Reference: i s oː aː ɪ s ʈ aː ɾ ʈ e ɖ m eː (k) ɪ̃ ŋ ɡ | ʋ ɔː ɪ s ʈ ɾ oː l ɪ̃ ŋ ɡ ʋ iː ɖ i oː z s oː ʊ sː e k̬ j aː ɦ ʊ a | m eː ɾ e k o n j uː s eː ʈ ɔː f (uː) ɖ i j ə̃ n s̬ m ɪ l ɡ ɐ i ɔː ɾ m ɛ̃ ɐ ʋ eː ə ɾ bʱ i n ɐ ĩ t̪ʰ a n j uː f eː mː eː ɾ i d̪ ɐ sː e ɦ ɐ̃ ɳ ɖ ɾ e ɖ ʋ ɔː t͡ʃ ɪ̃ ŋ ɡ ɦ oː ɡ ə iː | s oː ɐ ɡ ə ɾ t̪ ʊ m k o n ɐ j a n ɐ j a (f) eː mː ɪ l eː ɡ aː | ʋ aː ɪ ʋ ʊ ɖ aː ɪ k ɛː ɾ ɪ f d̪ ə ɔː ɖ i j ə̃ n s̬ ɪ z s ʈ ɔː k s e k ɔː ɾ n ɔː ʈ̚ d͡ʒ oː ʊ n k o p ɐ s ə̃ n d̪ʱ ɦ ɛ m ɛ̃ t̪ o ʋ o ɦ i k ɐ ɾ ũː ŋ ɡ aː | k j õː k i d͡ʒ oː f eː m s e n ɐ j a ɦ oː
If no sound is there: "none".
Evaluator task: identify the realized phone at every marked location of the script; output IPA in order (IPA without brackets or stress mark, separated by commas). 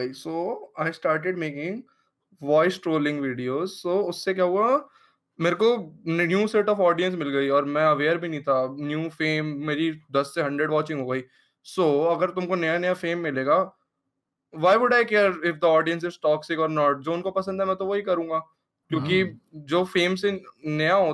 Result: k, ɔː, f